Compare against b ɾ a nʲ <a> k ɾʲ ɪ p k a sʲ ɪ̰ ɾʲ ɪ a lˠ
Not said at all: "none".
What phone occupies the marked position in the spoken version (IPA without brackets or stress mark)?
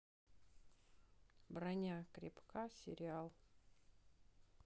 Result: a